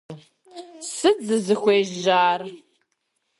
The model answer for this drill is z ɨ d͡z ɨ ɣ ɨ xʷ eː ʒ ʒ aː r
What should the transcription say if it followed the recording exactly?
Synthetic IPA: s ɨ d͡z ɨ z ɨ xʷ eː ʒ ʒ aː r